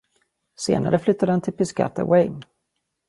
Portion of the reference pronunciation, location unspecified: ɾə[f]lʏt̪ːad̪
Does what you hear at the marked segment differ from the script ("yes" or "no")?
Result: no